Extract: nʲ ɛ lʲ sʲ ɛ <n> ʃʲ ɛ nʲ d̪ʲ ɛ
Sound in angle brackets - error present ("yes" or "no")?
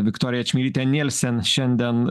no